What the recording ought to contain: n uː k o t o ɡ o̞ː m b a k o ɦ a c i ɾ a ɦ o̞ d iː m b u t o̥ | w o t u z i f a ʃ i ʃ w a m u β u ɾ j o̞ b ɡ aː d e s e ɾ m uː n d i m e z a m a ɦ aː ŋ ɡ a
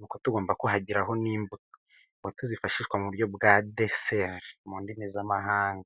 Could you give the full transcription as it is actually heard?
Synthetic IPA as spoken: n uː k o t u ɡ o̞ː m b a k o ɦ a ɟ i ɾ a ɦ o̞ n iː m b u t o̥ | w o t u z i f a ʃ i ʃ w a m u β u ɾ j o̞ b ɡ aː d e s e ɾ m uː n d i m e z a m a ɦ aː ŋ ɡ a